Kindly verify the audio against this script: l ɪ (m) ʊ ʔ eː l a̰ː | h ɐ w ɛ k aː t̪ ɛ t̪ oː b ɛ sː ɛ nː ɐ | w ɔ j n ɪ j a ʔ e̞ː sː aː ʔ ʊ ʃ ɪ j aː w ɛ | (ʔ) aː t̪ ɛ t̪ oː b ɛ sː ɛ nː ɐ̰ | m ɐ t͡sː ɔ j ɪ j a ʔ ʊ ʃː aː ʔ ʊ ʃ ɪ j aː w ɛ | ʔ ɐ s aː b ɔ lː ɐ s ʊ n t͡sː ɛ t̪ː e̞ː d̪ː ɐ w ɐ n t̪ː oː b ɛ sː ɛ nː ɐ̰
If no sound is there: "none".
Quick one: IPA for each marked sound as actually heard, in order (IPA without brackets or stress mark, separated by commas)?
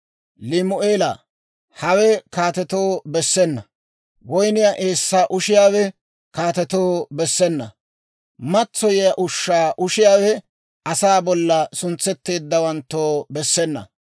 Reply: m, k